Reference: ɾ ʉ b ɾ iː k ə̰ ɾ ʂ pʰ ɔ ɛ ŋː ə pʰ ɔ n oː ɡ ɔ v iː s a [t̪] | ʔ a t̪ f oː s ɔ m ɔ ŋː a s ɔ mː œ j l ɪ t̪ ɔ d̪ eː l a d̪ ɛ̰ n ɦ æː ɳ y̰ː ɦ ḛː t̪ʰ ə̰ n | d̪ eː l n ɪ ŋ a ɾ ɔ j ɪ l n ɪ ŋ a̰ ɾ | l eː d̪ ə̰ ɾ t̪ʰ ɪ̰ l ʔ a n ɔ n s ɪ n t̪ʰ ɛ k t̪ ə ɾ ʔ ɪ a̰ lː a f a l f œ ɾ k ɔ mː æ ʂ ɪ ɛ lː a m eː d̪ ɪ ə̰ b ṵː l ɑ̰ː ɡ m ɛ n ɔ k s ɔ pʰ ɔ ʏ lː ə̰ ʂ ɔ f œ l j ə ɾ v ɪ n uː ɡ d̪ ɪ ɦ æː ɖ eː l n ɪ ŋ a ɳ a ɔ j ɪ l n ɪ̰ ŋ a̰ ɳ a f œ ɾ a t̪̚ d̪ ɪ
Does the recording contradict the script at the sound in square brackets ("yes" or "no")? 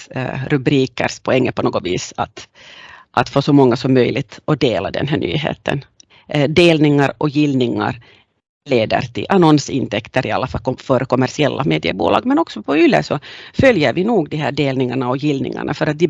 no